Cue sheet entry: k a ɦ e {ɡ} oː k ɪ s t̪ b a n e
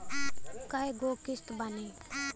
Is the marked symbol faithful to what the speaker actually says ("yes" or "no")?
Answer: yes